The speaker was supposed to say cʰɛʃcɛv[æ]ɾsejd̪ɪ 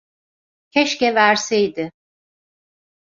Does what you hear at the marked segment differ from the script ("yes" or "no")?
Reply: no